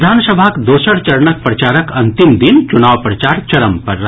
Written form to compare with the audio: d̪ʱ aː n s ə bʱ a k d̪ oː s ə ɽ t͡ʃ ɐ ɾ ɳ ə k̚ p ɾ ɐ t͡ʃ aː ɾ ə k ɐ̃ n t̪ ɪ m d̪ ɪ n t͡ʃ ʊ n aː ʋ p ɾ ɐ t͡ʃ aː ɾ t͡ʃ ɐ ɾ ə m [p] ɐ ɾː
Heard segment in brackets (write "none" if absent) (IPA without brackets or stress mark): p